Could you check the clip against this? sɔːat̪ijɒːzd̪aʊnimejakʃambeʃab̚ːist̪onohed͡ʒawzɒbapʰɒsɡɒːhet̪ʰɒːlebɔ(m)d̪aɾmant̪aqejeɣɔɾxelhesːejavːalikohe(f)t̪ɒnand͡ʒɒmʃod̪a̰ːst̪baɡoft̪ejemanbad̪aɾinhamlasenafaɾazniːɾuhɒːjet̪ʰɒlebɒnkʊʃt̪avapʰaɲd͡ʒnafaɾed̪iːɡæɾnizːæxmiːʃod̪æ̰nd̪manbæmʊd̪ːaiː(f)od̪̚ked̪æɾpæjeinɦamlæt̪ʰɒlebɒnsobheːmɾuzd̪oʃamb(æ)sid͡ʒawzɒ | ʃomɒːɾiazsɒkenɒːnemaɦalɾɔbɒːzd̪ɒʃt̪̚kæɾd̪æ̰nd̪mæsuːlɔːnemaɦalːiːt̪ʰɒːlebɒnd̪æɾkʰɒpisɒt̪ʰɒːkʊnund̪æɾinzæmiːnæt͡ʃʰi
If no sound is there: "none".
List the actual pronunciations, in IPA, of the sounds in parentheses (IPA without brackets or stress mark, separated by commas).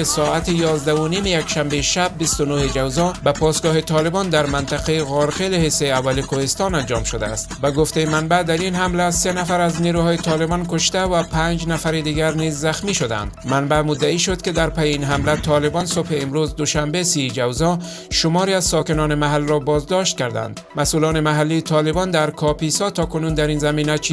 n, s, ʃ, e